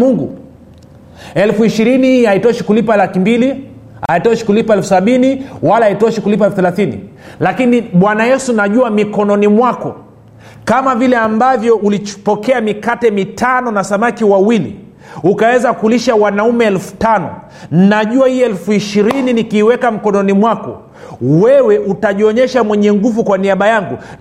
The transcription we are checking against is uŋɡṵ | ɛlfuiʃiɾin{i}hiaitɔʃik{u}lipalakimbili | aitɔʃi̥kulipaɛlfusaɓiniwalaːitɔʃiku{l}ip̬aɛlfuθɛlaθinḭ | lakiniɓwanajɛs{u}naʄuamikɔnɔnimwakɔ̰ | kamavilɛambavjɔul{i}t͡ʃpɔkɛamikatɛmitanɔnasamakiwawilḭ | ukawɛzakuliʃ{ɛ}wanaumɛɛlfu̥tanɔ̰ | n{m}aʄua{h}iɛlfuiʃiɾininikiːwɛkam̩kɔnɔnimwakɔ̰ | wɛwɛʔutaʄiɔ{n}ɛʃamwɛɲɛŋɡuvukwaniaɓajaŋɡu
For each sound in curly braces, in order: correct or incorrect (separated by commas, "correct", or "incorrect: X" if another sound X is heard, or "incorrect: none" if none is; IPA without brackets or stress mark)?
correct, correct, correct, correct, correct, incorrect: a, incorrect: n, correct, incorrect: ɲ